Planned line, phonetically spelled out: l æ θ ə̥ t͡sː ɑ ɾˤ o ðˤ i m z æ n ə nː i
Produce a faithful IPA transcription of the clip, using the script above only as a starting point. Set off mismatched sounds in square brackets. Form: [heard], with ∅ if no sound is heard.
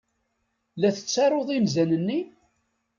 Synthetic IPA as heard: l æ θ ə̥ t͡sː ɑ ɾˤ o ðˤ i m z æ n ə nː i